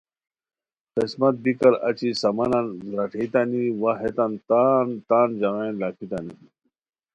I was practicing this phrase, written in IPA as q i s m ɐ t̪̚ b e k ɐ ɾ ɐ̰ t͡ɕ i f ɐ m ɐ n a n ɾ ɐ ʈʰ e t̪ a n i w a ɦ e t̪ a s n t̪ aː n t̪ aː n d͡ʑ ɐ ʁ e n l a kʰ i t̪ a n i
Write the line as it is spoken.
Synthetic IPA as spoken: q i s m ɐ t̪̚ b i k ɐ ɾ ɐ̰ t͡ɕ i s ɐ m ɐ n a n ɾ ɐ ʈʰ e t̪ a n i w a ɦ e t̪ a n t̪ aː n t̪ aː n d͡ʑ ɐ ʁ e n l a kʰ i t̪ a n i